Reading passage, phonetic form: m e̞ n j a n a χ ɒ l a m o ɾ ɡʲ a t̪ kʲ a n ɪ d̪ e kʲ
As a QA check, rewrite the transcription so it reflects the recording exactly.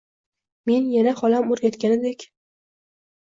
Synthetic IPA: m e̞ n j a n a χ ɒ l a m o ɾ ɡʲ a t̪ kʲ a n ɪ d̪ e kʲ